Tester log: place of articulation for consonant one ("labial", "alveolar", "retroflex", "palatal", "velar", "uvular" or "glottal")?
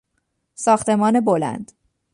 alveolar